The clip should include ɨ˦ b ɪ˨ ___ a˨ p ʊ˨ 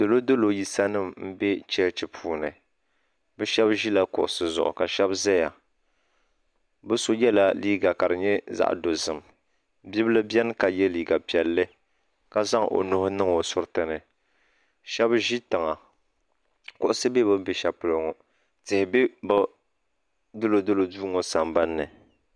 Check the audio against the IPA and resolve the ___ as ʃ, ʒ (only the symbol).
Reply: ʃ